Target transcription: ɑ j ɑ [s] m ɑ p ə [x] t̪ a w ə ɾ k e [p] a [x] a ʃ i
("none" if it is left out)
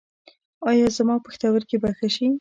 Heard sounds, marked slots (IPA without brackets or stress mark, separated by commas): z, x, b, x